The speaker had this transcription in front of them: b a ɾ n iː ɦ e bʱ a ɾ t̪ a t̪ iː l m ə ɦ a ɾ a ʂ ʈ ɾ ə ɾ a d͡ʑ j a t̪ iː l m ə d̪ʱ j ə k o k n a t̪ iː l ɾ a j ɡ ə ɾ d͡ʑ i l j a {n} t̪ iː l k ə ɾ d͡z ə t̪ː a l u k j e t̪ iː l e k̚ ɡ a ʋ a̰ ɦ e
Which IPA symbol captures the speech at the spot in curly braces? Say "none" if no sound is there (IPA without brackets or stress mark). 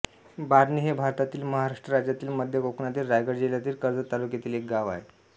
none